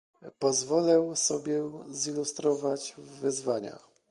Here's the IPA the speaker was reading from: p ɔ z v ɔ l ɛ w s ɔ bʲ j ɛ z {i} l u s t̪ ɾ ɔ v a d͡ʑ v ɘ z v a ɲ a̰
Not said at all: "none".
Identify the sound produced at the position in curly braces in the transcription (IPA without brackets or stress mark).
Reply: i